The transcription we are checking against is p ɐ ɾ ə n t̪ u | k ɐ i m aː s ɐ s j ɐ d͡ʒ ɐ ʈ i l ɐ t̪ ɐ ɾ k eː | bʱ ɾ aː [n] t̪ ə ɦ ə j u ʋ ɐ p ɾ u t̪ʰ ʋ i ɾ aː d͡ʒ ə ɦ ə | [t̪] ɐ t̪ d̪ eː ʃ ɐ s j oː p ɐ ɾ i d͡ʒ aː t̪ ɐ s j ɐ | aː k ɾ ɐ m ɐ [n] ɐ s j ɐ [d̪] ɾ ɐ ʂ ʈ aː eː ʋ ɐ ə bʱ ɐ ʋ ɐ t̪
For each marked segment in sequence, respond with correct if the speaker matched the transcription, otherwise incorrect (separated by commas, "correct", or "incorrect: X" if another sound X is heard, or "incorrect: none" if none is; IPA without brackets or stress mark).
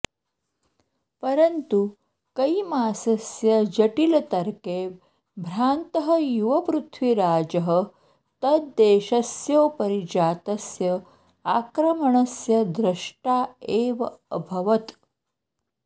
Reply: correct, correct, incorrect: ɳ, correct